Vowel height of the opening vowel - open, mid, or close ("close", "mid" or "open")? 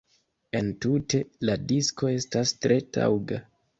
mid